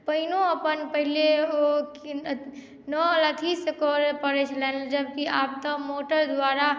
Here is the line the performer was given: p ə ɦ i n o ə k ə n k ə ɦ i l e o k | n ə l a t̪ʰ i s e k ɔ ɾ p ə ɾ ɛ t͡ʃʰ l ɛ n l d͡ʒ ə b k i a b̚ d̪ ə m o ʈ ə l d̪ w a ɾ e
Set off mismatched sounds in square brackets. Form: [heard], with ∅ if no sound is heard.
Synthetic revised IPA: p ə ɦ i n o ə [p] ə n [p] ə ɦ i l e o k | n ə l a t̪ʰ i s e k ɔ ɾ p ə ɾ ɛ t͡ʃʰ l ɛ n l d͡ʒ ə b k i a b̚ [t̪] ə m o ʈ ə [ɾ] d̪ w a ɾ [a]